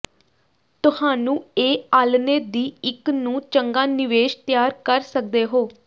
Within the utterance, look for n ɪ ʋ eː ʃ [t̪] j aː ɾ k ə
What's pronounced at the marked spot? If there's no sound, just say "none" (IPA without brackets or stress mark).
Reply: t̪